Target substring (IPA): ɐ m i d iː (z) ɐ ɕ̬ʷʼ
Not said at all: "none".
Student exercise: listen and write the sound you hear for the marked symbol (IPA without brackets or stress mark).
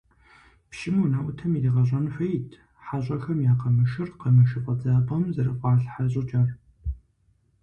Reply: ʁ